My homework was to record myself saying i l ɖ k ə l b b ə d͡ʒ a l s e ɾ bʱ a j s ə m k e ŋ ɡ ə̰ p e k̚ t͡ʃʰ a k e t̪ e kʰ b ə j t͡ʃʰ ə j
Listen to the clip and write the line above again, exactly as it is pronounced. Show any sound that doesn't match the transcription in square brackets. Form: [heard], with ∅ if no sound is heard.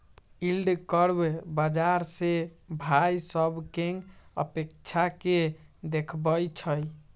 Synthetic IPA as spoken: i l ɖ k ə [ɾ] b b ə d͡ʒ a [ɾ] s e [∅] bʱ a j s ə [b] k e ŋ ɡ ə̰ p e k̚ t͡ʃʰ a k e [d̪] e kʰ b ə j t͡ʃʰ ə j